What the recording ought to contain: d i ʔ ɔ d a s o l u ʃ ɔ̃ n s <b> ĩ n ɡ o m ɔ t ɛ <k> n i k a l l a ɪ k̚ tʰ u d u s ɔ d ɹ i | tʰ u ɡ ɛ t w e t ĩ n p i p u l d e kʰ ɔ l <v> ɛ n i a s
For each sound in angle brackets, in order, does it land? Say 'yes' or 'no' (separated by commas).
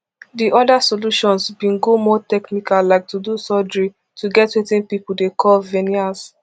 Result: yes, yes, yes